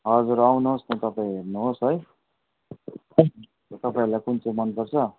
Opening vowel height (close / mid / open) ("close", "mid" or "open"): mid